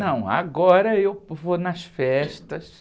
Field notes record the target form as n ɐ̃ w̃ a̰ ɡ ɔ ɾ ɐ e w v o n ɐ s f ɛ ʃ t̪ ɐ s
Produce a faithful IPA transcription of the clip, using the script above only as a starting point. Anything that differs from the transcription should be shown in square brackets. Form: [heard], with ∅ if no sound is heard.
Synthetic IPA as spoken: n ɐ̃ w̃ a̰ ɡ ɔ ɾ ɐ e w v o n ɐ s f ɛ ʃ t̪ ɐ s